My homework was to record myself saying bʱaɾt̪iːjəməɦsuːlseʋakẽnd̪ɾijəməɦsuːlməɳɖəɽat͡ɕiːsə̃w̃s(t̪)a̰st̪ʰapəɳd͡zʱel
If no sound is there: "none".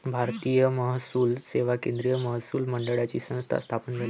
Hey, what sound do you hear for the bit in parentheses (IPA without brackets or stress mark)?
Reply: t̪ʰ